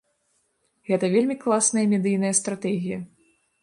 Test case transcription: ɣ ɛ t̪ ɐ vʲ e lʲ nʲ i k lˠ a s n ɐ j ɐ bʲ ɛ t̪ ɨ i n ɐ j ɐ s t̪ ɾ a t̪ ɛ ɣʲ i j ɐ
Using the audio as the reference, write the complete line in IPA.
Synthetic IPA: ɣ ɛ t̪ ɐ vʲ e lʲ mʲ i k lˠ a s n ɐ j ɐ mʲ ɛ d̪ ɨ j n ɐ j ɐ s t̪ ɾ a t̪ ɛ ɣʲ i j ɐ